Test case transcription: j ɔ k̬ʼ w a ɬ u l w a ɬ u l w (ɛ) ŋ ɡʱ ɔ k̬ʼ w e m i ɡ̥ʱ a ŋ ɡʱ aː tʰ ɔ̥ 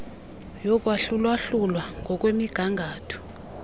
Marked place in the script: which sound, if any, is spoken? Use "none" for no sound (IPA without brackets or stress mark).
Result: a